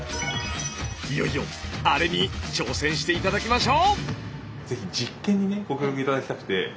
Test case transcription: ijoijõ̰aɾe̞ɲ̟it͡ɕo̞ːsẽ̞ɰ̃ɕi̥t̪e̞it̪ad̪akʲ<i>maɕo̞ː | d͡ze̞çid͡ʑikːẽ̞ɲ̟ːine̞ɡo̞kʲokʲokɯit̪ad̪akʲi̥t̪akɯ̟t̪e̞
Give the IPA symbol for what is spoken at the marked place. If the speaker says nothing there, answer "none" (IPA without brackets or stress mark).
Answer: i